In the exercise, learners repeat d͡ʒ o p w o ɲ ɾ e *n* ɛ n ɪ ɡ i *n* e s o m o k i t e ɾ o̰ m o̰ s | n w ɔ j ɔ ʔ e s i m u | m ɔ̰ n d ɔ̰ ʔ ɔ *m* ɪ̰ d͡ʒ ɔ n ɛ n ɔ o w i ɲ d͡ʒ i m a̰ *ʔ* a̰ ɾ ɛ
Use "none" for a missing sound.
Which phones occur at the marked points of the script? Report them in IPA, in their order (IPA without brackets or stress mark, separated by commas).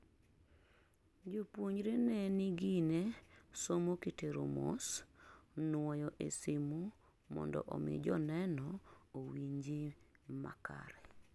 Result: n, n, m, k